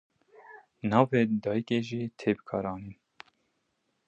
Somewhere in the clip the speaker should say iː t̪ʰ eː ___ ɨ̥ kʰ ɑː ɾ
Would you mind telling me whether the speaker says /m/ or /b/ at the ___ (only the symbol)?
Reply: b